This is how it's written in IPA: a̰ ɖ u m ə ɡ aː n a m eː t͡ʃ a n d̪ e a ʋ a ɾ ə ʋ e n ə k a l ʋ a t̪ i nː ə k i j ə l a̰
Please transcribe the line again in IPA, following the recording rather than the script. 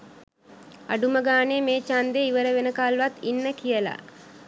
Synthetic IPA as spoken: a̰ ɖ u m ə ɡ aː n e m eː t͡ʃ a n d̪ e i ʋ ə ɾ ə ʋ e n ə k a l ʋ a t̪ i nː ə k i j ə l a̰